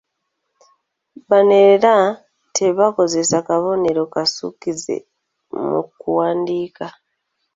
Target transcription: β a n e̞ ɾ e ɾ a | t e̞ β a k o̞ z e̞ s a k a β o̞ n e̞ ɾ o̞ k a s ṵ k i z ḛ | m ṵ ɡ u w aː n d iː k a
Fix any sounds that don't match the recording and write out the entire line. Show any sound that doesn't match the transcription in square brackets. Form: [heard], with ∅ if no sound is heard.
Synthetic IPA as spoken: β a n e̞ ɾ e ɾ a | t e̞ β a k o̞ z e̞ s a k a β o̞ n e̞ ɾ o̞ k a s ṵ k i z ḛ | m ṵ [k] u w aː n d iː k a